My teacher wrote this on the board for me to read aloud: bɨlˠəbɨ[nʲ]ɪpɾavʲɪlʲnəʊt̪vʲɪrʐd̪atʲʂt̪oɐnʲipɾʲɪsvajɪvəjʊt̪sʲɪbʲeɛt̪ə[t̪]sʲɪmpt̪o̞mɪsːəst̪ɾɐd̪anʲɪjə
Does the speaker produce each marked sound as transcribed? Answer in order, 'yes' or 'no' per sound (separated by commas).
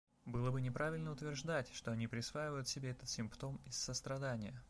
yes, yes